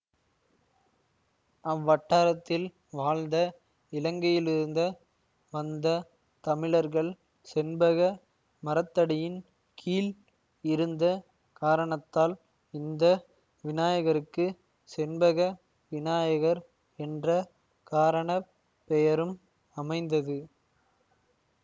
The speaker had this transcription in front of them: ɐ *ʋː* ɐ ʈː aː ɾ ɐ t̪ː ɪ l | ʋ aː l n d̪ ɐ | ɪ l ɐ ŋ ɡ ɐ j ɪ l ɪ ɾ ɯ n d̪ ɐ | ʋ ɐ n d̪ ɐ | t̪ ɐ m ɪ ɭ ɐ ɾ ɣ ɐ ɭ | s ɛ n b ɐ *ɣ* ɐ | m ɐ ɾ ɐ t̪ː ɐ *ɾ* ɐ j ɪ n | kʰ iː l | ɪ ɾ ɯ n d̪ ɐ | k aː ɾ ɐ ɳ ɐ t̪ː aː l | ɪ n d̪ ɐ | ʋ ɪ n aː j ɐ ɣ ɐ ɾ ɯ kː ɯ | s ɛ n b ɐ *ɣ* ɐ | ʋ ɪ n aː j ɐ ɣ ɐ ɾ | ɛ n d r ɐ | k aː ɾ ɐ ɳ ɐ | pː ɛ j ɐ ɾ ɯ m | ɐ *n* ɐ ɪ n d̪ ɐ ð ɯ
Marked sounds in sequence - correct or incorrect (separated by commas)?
correct, correct, incorrect, correct, incorrect